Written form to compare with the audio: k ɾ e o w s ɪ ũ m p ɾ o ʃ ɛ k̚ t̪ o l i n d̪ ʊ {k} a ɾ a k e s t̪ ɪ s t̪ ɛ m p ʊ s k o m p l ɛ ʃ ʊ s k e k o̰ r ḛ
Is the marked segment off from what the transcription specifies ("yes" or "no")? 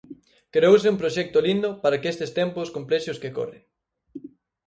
yes